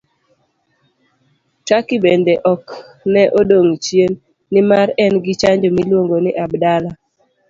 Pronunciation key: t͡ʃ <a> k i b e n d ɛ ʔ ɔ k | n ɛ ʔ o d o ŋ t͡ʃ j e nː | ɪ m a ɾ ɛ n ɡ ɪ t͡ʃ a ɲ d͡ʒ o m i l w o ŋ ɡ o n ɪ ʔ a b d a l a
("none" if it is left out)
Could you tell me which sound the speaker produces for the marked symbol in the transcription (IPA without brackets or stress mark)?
a